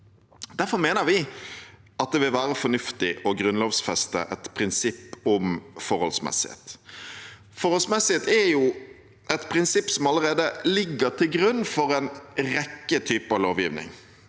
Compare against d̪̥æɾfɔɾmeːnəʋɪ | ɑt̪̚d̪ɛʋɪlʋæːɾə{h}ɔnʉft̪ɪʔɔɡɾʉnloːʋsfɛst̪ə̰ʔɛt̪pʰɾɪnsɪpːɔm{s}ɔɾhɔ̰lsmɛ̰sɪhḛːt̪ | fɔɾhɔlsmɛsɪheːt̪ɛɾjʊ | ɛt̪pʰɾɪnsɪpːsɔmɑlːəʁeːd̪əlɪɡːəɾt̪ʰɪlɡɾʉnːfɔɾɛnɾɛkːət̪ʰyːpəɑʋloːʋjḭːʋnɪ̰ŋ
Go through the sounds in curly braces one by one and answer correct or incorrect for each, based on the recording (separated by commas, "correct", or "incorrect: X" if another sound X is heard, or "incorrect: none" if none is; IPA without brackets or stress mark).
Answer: incorrect: f, incorrect: f